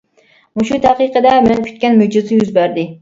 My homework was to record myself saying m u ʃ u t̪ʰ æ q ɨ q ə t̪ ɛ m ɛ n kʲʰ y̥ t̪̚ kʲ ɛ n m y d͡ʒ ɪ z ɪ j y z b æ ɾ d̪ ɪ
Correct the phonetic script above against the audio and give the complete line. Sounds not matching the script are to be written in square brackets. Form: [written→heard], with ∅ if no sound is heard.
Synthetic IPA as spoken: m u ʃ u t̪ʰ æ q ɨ q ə [t̪→d̪] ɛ m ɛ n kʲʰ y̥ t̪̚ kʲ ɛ n m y d͡ʒ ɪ z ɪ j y z b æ ɾ d̪ ɪ